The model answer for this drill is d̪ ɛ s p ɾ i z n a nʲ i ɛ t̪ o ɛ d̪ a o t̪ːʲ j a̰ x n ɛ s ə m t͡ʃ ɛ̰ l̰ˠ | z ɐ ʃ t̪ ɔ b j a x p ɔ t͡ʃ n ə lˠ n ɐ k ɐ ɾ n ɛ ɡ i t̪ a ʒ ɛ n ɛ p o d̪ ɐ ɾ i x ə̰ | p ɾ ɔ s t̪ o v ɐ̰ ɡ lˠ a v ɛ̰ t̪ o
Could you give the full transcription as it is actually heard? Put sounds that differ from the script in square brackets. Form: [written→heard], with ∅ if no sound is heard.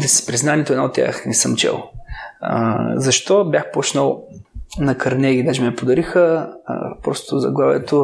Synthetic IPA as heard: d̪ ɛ s p ɾ i z n a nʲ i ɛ t̪ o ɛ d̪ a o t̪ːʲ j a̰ x n ɛ s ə m t͡ʃ ɛ̰ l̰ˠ | z ɐ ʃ t̪ ɔ b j a x p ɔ t͡ʃ n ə lˠ n ɐ k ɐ ɾ n ɛ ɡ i [t̪→d̪] a ʒ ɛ [n→m] ɛ p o d̪ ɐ ɾ i x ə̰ | p ɾ ɔ s t̪ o [v→z] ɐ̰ ɡ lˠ a v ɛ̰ t̪ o